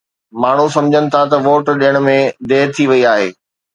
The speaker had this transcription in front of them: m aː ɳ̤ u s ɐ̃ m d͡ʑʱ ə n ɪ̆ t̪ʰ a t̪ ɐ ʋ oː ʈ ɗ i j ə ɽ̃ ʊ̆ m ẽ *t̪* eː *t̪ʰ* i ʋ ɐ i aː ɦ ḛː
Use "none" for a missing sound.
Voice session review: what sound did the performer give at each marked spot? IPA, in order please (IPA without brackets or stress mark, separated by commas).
d̪, t̪ʰ